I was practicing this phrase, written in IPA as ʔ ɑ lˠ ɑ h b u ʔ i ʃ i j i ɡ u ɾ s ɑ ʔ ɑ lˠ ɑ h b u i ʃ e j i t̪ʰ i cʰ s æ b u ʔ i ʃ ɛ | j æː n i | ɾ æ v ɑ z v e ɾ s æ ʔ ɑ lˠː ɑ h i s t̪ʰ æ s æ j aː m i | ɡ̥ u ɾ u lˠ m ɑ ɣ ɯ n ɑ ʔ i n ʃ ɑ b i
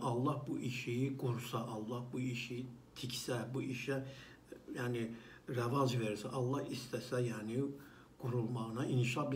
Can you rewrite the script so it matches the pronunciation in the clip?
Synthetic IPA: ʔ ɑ lˠː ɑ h b u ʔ i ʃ i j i ɡ u ɾ s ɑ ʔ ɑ lˠː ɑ h b u i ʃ i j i t̪ʰ i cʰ s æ b u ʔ i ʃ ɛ | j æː n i | ɾ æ v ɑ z v e ɾ s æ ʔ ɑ lˠː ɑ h i s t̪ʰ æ s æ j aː n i | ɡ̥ u ɾ u lˠ m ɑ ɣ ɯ n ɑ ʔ i n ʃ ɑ b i